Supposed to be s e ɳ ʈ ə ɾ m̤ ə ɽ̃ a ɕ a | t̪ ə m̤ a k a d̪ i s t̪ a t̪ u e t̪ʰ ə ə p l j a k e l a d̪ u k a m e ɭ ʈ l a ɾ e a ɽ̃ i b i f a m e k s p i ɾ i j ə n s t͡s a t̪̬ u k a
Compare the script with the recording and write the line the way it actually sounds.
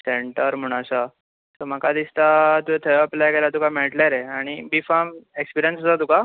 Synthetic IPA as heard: s e ɳ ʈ ə ɾ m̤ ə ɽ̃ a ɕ a | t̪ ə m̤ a k a d̪ i s t̪ a t̪ u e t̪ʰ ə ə p l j a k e l a t̪ u k a m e ɭ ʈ l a ɾ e a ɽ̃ i b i f a m e k s p i ɾ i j ə n s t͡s a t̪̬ u k a